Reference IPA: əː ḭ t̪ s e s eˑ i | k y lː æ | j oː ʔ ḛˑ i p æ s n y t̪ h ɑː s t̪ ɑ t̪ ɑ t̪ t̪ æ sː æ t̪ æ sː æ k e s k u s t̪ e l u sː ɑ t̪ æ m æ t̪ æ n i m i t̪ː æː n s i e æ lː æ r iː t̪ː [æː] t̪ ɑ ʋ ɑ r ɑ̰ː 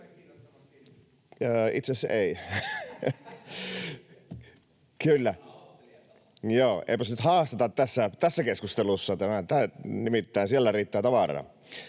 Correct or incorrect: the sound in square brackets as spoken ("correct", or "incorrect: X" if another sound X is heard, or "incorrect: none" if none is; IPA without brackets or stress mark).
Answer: correct